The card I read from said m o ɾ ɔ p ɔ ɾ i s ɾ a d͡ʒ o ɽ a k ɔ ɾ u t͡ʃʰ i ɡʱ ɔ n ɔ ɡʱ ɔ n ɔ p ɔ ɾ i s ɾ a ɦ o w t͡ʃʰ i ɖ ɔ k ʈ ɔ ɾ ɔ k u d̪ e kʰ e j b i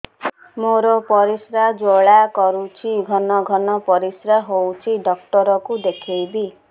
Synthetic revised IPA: m o ɾ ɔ p ɔ ɾ i s ɾ a d͡ʒ o ɭ a k ɔ ɾ u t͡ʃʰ i ɡʱ ɔ n ɔ ɡʱ ɔ n ɔ p ɔ ɾ i s ɾ a ɦ o w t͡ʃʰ i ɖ ɔ k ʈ ɔ ɾ ɔ k u d̪ e kʰ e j b i